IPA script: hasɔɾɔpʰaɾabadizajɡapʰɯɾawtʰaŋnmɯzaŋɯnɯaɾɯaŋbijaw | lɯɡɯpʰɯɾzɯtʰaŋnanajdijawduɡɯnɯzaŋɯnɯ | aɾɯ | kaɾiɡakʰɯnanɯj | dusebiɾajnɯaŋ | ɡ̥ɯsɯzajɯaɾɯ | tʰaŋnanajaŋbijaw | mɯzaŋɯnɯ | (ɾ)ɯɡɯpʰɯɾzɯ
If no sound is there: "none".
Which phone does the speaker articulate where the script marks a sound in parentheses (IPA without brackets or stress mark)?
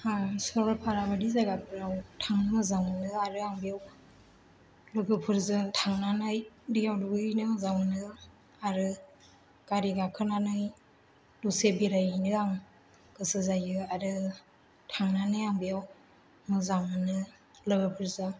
l